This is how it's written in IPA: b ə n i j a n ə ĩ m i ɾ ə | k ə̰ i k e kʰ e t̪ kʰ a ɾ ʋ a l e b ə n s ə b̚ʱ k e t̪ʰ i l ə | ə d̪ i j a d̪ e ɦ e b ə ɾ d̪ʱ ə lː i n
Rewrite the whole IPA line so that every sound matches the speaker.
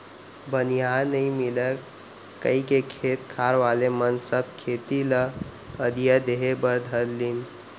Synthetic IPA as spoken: b ə n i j a n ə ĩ m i l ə | k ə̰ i k e kʰ e t̪ kʰ a ɾ ʋ a l e m ə n s ə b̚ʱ kʰ e t̪ i l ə | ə d̪ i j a d̪ e ɦ e b ə ɾ d̪ʱ ə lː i n